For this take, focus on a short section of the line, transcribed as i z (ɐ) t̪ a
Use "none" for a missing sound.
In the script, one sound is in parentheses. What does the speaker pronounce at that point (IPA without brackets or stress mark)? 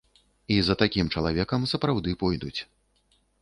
ɐ